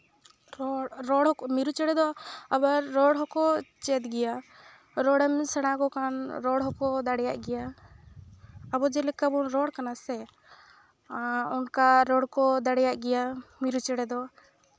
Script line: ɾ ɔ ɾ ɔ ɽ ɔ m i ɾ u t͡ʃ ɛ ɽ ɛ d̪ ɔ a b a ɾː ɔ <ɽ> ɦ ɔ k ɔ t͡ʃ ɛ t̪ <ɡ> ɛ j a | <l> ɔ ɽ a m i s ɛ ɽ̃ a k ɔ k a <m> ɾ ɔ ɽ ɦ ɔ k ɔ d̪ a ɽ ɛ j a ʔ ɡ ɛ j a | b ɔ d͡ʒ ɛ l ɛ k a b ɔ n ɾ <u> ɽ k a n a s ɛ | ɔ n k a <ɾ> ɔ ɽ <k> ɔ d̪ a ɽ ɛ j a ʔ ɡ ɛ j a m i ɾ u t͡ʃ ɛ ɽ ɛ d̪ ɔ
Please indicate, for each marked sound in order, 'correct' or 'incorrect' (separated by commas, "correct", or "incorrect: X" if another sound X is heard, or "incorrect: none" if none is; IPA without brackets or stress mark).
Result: correct, correct, incorrect: ɾ, incorrect: n, incorrect: ɔ, correct, correct